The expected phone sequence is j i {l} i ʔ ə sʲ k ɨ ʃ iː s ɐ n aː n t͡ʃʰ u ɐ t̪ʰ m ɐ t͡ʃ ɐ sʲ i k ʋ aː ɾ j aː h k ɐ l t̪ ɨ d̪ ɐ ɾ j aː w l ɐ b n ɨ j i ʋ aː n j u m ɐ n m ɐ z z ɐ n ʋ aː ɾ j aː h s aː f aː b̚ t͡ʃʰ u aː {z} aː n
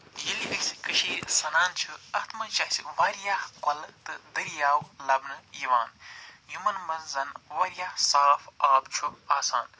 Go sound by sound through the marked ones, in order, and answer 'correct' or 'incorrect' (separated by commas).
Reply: correct, incorrect